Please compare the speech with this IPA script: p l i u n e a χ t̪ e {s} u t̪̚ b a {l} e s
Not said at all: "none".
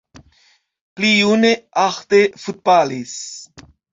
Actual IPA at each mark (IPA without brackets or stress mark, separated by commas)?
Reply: f, l